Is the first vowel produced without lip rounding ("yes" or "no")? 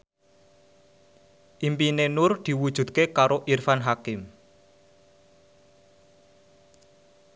yes